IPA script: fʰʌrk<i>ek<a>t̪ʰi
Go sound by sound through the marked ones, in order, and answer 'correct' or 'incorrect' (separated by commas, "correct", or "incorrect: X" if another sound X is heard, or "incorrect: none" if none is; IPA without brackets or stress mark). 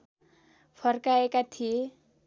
incorrect: a, correct